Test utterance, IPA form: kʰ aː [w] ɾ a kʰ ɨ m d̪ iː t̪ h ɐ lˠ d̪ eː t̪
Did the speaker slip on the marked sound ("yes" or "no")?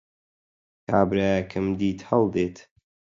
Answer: yes